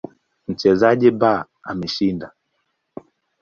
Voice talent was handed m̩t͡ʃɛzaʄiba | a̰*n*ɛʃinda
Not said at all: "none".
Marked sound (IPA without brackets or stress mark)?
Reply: m